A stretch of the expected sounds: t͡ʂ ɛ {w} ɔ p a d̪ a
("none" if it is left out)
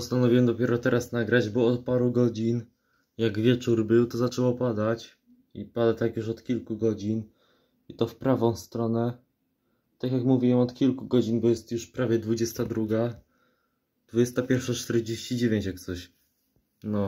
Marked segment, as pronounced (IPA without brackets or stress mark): w